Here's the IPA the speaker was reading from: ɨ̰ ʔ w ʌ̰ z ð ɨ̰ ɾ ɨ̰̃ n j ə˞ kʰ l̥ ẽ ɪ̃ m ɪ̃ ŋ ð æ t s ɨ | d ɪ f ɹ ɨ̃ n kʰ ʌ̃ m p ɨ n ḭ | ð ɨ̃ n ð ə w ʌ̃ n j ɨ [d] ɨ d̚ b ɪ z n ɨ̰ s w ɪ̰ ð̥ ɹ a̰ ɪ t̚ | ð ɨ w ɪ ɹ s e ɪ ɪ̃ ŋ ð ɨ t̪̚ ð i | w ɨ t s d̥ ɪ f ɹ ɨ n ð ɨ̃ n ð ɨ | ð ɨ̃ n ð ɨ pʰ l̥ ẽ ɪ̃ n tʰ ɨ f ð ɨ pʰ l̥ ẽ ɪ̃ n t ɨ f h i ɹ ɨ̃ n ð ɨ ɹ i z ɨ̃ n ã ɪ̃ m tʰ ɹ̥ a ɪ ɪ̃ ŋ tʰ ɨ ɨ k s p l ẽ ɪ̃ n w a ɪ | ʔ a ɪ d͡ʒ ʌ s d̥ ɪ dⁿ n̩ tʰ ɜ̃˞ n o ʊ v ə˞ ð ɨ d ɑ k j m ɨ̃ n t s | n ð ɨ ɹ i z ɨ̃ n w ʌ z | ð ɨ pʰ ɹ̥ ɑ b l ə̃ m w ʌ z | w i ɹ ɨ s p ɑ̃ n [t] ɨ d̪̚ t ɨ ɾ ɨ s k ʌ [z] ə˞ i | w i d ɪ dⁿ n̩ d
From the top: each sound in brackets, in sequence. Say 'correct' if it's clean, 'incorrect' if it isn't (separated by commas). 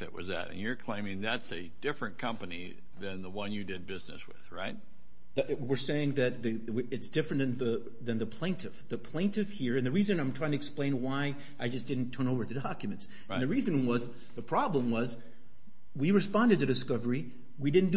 correct, incorrect, incorrect